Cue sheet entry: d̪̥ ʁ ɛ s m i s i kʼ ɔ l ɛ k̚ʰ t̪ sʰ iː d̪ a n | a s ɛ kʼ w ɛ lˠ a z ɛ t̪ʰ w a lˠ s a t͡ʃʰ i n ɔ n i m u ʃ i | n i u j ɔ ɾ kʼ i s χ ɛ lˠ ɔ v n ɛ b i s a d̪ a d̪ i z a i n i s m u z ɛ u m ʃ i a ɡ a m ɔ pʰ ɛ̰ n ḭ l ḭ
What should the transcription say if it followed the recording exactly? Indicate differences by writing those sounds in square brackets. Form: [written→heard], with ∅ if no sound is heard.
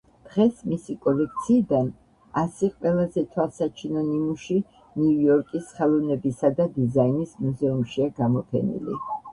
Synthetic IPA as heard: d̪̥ ʁ ɛ s m i s i kʼ ɔ l ɛ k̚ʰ t̪ sʰ iː d̪ a n | a s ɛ [kʼ→qʼ] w ɛ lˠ a z ɛ t̪ʰ w a lˠ s a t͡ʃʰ i n ɔ n i m u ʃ i | n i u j ɔ ɾ kʼ i s χ ɛ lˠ ɔ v n ɛ b i s a d̪ a d̪ i z a i n i s m u z ɛ u m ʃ i a ɡ a m ɔ pʰ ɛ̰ n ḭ l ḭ

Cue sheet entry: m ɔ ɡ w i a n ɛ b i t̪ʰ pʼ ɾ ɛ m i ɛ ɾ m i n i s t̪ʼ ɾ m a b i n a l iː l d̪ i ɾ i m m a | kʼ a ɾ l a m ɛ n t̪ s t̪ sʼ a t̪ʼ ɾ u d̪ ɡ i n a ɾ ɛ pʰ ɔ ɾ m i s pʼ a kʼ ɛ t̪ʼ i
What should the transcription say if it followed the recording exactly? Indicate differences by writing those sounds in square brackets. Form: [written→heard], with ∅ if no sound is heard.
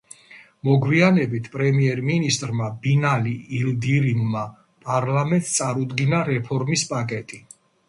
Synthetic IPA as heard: m ɔ ɡ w i a n ɛ b i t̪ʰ pʼ ɾ ɛ m i ɛ ɾ m i n i s t̪ʼ ɾ m a b i n a l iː l d̪ i ɾ i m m a | [kʼ→pʼ] a ɾ l a m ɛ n t̪ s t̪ sʼ a [t̪ʼ→∅] ɾ u d̪ ɡ i n a ɾ ɛ pʰ ɔ ɾ m i s pʼ a kʼ ɛ t̪ʼ i

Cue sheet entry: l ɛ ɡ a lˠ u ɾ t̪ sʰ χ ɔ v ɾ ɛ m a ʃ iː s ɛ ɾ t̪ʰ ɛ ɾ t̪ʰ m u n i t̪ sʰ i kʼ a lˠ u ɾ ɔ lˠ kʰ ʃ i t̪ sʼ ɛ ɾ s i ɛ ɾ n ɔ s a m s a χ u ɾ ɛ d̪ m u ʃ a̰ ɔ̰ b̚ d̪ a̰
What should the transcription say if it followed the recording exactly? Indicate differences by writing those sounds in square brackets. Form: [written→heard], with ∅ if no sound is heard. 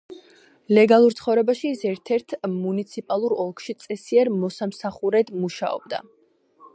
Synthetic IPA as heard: l ɛ ɡ a lˠ u ɾ t̪ sʰ χ ɔ v ɾ ɛ [m→b] a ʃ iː s ɛ ɾ t̪ʰ ɛ ɾ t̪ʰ m u n i t̪ sʰ i [kʼ→pʼ] a lˠ u ɾ ɔ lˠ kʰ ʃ i t̪ sʼ ɛ [ɾ→∅] s i ɛ ɾ [n→m] ɔ s a m s a χ u ɾ ɛ d̪ m u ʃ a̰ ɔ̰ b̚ d̪ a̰

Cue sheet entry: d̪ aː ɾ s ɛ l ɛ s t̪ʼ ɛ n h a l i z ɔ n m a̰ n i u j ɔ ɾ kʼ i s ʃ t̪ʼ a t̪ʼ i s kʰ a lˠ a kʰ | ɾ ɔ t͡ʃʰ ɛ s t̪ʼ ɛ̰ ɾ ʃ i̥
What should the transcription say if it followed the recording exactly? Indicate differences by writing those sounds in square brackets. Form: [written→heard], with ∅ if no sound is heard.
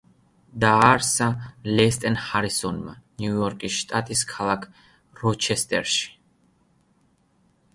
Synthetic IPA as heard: d̪ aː ɾ s [ɛ→a] l ɛ s t̪ʼ ɛ n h a [l→ɾ] i [z→s] ɔ n m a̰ n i u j ɔ ɾ kʼ i s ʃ t̪ʼ a t̪ʼ i s kʰ a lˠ a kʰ | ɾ ɔ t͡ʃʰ ɛ s t̪ʼ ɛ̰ ɾ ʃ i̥

